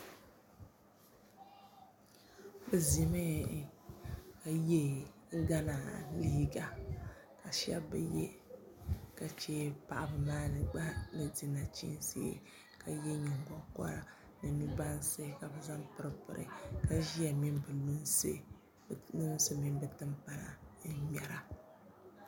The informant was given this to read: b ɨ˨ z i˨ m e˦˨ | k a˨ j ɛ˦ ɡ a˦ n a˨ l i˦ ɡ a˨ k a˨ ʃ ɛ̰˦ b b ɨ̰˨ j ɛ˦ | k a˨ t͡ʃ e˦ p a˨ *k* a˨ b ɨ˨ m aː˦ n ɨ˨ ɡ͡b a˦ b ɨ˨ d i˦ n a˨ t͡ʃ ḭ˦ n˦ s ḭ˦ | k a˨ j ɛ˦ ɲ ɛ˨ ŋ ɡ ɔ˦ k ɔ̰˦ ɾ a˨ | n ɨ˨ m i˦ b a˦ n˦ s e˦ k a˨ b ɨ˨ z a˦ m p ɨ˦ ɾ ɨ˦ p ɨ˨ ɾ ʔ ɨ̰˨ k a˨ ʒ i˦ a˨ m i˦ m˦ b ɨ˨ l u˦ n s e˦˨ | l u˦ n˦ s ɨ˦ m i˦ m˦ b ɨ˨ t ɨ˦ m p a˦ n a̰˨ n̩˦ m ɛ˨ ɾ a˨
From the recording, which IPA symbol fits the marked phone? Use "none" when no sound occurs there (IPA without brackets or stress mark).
ʔ